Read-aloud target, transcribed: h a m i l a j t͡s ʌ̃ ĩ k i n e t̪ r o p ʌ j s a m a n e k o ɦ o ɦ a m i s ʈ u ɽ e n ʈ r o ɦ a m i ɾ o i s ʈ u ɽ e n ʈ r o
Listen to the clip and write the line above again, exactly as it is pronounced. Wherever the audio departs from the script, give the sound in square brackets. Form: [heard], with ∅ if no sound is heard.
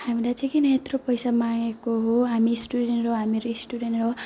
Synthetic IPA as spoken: h a m i l a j t͡s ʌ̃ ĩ k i n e t̪ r o p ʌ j s a m a [ŋ] e k o ɦ o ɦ a m i s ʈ u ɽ e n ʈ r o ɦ a m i ɾ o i s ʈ u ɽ e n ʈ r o